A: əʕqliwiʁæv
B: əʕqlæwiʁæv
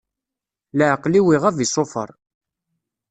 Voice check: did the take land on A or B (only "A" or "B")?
A